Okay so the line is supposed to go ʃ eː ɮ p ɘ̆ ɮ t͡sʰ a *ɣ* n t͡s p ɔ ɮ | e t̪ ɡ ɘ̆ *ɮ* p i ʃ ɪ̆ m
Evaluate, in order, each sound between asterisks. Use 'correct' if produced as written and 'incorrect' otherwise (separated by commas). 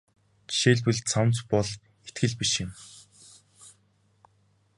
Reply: incorrect, correct